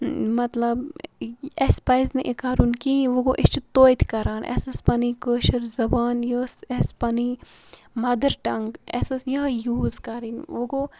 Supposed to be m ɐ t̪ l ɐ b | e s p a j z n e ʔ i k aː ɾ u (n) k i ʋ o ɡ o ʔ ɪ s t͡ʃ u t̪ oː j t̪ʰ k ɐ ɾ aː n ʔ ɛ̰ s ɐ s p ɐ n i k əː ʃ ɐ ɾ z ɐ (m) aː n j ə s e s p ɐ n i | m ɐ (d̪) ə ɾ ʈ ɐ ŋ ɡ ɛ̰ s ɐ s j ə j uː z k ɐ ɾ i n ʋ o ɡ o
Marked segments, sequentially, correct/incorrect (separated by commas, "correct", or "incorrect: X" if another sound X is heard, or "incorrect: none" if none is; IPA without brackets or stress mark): correct, incorrect: b, correct